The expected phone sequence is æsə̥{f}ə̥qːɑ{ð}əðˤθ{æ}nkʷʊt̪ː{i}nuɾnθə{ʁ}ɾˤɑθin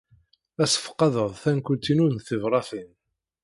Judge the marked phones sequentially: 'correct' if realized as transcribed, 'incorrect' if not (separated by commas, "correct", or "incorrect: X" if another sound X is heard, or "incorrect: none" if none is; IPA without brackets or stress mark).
correct, correct, correct, correct, incorrect: v